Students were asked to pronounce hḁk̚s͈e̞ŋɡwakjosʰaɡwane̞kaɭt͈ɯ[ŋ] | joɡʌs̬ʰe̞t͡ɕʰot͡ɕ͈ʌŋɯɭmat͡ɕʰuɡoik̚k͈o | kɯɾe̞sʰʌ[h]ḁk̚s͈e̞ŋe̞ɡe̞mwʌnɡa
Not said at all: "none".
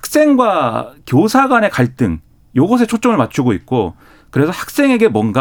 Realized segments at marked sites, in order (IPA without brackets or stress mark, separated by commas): ŋ, h